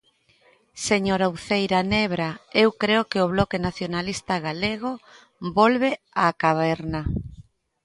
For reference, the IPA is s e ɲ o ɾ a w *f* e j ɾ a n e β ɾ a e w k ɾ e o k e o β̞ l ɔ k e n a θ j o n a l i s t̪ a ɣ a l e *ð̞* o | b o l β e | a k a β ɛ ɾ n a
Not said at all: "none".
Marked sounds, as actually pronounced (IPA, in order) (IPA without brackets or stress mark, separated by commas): θ, ɣ̞